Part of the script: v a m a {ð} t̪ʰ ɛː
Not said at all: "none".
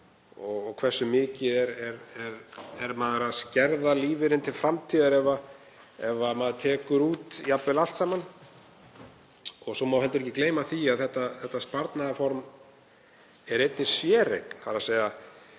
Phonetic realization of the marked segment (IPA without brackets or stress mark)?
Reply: ð